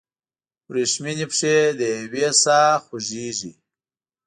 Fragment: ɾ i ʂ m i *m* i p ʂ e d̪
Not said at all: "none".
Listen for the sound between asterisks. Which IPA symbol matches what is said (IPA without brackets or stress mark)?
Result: n